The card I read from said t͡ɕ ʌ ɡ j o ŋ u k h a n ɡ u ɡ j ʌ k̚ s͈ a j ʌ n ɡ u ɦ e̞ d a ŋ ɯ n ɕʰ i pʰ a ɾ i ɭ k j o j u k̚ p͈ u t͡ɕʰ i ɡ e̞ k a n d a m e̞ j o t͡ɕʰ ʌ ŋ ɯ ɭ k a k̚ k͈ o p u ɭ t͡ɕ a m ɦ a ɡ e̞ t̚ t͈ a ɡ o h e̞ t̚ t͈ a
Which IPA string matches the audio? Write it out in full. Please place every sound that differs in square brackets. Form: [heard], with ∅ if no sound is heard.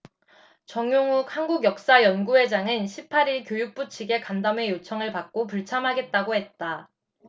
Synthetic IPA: t͡ɕ ʌ [ŋ] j o ŋ u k h a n ɡ u ɡ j ʌ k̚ s͈ a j ʌ n ɡ u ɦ e̞ [d͡ʑ] a ŋ ɯ n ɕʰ i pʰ a ɾ i ɭ k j o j u k̚ p͈ u t͡ɕʰ i ɡ e̞ k a n d a m e̞ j o t͡ɕʰ ʌ ŋ ɯ ɭ [p] a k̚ k͈ o p u ɭ [t͡ɕʰ] a m ɦ a ɡ e̞ t̚ t͈ a ɡ o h e̞ t̚ t͈ a